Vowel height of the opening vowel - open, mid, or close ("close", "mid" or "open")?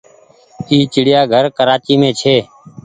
close